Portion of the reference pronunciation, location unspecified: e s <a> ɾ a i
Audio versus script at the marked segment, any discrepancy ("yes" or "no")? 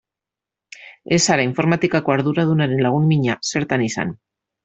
no